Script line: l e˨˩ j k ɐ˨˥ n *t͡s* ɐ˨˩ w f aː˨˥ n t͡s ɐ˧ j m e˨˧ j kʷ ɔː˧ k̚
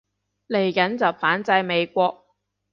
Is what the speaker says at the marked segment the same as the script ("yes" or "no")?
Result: yes